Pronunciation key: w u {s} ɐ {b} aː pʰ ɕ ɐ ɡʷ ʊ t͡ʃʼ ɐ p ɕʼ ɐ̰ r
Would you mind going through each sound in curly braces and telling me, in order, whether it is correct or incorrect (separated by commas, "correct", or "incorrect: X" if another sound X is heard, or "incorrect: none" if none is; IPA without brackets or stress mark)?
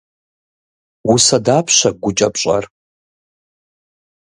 correct, incorrect: d